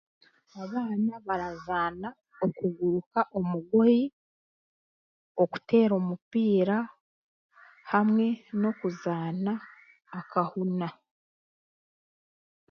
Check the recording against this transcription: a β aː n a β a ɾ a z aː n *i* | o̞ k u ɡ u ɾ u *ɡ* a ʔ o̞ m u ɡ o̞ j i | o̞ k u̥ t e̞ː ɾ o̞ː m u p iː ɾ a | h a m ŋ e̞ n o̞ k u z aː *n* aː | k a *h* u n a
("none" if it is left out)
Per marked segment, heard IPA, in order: a, k, n, h

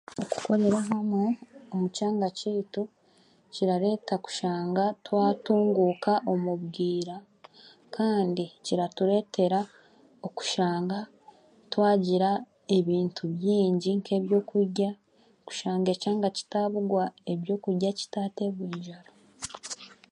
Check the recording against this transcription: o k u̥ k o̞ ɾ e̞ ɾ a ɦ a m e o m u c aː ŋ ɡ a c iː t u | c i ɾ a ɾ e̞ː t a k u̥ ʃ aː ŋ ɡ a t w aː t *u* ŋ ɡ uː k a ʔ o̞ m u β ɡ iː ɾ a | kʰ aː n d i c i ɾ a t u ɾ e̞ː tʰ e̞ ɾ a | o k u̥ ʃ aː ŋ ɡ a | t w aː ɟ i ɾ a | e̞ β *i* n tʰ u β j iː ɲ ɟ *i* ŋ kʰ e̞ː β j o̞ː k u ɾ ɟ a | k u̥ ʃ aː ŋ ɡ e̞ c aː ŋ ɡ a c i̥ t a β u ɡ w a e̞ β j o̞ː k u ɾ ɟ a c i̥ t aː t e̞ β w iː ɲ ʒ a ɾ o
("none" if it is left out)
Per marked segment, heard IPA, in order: uː, iː, i

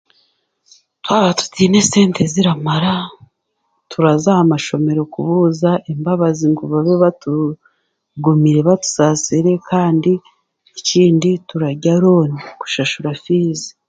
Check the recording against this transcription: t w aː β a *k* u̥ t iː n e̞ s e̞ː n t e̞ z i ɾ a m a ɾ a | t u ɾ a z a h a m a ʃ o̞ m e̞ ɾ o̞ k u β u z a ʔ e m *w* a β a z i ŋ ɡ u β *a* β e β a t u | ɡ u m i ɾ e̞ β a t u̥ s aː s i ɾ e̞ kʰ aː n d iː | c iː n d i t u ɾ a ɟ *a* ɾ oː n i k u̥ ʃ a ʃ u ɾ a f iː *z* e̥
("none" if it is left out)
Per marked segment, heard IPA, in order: t, b, a, a, z

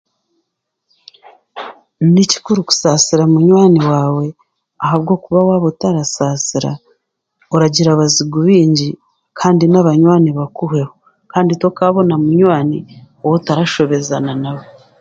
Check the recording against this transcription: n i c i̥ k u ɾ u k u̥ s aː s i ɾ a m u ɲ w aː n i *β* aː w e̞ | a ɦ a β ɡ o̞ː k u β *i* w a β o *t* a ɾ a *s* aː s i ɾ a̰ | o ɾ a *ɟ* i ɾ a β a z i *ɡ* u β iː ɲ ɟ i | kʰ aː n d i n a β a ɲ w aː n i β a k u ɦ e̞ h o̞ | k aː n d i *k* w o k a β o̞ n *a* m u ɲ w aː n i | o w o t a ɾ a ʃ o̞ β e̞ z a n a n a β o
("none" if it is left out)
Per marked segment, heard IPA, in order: w, a, t, s, ɟ, ɡ, t, a

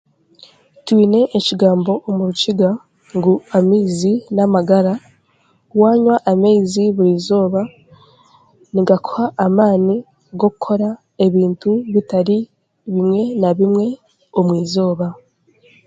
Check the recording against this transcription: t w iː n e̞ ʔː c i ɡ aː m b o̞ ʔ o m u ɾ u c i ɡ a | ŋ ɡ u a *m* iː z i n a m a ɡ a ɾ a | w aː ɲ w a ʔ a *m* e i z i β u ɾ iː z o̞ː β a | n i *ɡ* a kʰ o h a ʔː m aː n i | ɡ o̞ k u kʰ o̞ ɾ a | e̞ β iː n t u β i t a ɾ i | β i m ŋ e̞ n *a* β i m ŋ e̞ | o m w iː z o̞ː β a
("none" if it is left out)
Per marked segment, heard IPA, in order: m, m, ɡ, a

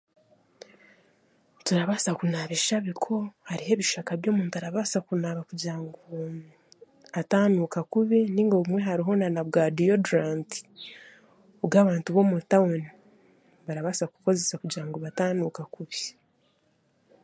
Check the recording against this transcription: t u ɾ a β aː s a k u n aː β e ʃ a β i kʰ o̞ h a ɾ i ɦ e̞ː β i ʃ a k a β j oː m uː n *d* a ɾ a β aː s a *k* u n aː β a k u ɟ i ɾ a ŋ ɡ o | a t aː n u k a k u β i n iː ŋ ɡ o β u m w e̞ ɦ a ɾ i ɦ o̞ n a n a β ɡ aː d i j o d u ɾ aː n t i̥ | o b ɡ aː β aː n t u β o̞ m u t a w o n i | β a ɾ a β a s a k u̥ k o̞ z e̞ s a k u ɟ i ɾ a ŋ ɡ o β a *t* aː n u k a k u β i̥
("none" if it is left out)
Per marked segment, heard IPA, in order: t, k, t

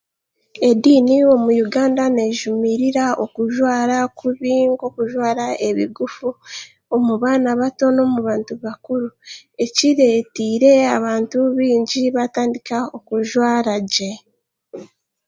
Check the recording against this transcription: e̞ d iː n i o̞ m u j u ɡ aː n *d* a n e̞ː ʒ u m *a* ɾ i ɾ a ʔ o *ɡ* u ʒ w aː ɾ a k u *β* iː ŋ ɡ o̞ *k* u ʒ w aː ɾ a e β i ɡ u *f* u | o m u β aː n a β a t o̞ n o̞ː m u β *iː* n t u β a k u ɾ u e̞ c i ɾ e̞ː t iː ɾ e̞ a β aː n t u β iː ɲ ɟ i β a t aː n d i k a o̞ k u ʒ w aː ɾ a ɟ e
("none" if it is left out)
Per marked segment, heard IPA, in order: d, i, k, β, k, f, aː

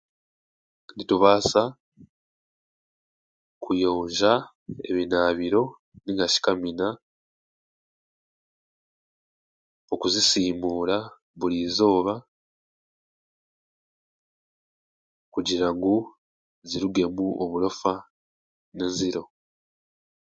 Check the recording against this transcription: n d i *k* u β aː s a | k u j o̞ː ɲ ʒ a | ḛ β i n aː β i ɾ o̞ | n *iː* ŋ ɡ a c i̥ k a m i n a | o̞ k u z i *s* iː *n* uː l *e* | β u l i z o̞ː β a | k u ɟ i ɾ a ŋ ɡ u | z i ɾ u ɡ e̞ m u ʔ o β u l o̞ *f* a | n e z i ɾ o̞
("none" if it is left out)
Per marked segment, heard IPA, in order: t, i, s, m, a, f

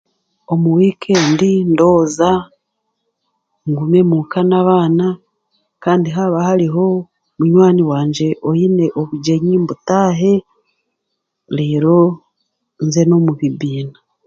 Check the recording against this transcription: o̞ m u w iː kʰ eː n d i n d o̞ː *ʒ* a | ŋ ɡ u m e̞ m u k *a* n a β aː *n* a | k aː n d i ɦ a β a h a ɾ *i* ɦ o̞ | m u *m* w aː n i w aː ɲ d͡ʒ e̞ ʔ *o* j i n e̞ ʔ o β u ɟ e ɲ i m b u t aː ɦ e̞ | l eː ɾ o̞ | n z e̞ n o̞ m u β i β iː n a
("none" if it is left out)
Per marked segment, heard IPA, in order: z, a, n, i, ɲ, o

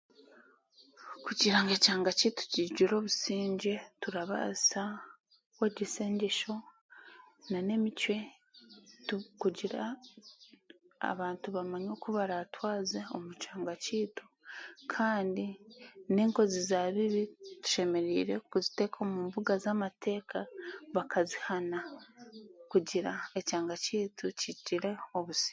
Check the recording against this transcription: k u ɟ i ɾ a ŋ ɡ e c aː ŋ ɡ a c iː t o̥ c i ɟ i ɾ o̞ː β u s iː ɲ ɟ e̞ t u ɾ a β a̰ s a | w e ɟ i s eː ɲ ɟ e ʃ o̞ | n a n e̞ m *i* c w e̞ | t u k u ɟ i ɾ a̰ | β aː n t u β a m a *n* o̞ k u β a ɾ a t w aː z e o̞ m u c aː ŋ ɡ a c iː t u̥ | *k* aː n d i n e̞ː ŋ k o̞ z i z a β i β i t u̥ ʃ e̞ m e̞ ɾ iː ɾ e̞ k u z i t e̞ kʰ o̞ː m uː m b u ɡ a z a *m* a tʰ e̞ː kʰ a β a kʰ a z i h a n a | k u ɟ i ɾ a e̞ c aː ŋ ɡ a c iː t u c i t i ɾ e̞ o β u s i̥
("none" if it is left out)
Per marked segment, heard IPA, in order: i, ɲ, kʰ, m

